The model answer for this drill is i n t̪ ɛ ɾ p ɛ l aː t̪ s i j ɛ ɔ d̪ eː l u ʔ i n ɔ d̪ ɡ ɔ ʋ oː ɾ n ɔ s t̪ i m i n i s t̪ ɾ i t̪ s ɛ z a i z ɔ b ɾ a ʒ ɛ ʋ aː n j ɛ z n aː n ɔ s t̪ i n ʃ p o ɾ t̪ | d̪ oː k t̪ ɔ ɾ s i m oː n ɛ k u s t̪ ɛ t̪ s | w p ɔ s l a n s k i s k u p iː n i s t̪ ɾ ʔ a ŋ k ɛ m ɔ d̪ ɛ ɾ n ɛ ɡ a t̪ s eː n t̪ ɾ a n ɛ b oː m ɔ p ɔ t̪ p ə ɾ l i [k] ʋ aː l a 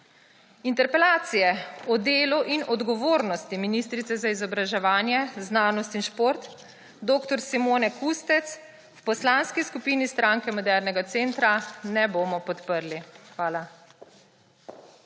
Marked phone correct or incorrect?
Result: incorrect